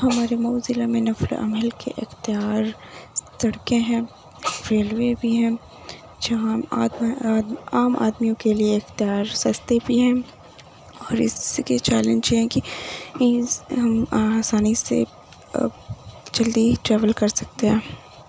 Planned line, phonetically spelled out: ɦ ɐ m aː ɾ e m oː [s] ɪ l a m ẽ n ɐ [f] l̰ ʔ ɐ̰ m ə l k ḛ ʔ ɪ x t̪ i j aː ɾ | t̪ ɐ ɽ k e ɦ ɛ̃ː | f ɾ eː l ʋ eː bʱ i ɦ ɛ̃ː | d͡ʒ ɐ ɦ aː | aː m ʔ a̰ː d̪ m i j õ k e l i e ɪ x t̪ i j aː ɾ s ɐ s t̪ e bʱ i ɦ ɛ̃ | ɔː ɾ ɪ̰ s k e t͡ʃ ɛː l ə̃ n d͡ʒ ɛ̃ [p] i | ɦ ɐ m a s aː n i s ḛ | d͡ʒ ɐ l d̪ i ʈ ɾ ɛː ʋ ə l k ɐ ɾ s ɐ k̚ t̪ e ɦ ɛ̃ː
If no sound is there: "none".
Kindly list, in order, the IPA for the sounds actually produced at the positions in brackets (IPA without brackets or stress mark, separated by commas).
z, f, k